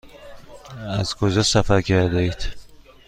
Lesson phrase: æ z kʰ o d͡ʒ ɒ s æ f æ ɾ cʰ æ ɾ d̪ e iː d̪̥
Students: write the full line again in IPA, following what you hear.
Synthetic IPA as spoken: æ z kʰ o d͡ʒ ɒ s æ f æ ɾ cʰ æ ɾ d̪ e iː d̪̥